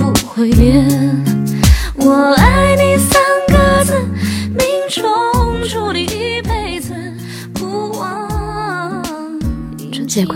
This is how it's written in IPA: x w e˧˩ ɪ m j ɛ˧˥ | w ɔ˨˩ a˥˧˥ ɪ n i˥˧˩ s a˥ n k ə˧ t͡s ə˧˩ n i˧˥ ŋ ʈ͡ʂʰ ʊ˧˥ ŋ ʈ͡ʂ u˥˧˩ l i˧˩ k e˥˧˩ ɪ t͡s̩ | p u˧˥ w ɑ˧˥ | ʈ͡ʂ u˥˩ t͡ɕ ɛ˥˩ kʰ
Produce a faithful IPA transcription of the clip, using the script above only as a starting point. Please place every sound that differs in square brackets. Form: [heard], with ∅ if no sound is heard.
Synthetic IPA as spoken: x w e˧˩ ɪ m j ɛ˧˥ | w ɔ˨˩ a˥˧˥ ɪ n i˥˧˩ s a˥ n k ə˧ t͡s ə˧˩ [m] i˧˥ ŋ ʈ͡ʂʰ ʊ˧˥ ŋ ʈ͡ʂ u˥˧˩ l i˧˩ [p] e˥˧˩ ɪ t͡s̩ | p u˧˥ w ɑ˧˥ | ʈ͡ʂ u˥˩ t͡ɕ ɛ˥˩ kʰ